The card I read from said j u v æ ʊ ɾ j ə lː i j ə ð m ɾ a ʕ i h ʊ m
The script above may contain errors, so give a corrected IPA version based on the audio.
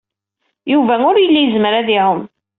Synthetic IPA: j u v æ ʊ ɾ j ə lː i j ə z m ɾ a ð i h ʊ m